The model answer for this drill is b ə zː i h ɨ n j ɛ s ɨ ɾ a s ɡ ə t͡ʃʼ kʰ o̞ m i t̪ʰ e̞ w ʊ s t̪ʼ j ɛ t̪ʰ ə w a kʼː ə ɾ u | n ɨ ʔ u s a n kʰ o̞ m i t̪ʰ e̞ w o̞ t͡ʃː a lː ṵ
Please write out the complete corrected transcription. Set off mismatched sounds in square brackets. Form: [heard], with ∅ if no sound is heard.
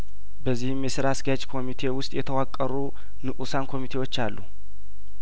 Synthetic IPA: b ə zː i h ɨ [m] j ɛ s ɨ ɾ a s ɡ [a] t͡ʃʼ kʰ o̞ m i t̪ʰ e̞ w ʊ s t̪ʼ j ɛ t̪ʰ ə w a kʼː ə ɾ u | n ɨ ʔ u s a n kʰ o̞ m i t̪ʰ e̞ w o̞ t͡ʃː a lː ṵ